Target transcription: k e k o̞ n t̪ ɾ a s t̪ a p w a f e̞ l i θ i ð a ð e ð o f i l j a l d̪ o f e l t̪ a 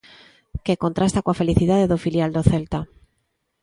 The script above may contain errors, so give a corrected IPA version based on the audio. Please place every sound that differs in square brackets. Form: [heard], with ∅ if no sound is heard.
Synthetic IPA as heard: k e k o̞ n t̪ ɾ a s t̪ a [k] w a f e̞ l i θ i ð a ð e ð o f i l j a l d̪ o [θ] e l t̪ a